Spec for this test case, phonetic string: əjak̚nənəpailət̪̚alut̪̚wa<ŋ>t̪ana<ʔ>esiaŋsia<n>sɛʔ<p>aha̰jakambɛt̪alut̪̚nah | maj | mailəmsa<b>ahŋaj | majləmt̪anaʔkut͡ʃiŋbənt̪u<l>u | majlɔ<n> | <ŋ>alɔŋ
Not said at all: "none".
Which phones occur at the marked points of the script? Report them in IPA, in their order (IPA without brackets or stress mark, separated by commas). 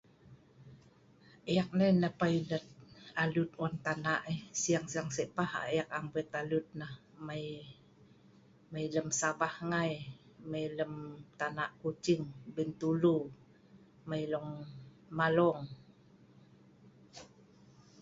n, ʔ, ŋ, p, b, l, ŋ, m